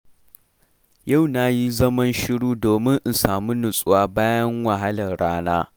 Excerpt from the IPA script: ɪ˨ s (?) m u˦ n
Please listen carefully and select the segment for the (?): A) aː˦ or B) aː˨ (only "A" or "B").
B